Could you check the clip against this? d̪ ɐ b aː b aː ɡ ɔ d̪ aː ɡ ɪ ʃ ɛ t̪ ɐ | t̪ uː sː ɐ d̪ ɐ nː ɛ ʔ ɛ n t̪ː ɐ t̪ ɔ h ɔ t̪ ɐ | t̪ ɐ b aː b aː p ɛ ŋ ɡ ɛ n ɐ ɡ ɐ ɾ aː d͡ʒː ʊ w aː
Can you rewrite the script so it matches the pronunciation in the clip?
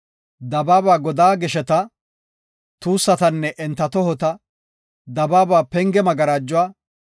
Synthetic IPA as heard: d̪ ɐ b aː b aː ɡ ɔ d̪ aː ɡ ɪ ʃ ɛ t̪ ɐ | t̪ uː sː ɐ t̪ ɐ nː ɛ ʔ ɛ n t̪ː ɐ t̪ ɔ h ɔ t̪ ɐ | d̪ ɐ b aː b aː p ɛ ŋ ɡ ɛ m ɐ ɡ ɐ ɾ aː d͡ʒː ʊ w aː